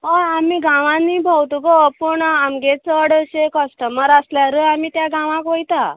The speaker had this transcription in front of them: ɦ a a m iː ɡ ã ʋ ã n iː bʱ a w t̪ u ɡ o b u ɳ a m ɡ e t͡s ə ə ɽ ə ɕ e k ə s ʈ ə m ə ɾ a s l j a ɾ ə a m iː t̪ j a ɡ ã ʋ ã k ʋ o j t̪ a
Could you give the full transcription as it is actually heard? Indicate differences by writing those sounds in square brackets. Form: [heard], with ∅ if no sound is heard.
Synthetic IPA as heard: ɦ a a m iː ɡ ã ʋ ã n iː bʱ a w t̪ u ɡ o [p] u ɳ a m ɡ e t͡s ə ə ɽ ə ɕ e k ə s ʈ ə m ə ɾ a s l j a ɾ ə a m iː t̪ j a ɡ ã ʋ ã k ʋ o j t̪ a

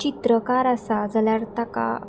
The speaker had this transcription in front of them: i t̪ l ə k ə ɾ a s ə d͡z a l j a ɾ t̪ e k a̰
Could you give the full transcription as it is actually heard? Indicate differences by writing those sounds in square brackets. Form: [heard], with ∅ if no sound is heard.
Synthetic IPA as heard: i t̪ [ɾ] ə k [a] ɾ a s [a] d͡z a l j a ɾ t̪ [a] k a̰

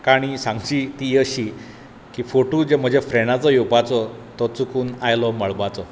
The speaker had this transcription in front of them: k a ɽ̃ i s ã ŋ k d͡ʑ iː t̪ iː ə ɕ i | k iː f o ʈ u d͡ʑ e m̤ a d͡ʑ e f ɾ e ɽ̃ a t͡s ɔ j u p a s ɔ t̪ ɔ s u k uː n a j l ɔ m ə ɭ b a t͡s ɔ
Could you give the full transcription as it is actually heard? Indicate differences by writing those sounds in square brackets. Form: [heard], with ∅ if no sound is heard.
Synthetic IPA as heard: k a ɽ̃ i s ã ŋ [ɡ] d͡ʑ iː t̪ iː ə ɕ i | k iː f o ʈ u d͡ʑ e m̤ [ə] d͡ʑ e f ɾ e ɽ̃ a t͡s ɔ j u p a [t͡s] ɔ t̪ ɔ [t͡s] u k uː n a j l ɔ m ə ɭ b a t͡s ɔ

